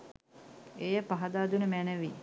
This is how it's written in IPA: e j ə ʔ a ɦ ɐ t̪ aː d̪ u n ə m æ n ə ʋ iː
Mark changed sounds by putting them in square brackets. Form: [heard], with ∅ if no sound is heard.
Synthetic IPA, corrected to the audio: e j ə [p] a ɦ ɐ [d̪] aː d̪ u n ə m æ n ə ʋ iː